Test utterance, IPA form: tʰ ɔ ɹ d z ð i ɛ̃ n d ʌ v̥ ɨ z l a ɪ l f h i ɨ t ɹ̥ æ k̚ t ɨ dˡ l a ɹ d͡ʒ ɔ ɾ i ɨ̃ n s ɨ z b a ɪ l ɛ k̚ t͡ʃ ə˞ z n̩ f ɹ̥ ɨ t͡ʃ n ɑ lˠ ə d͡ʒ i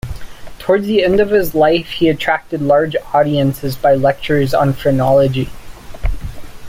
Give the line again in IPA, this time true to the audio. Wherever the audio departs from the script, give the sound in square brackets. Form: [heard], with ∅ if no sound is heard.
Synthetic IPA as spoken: tʰ ɔ ɹ d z ð i ɛ̃ n d ʌ v̥ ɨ z l a ɪ [∅] f h i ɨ [tʰ] ɹ̥ æ k̚ t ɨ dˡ l [ɑ] ɹ d͡ʒ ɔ ɾ i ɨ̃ n s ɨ z b a ɪ l ɛ k̚ t͡ʃ ə˞ z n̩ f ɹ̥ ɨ [∅] n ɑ lˠ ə d͡ʒ i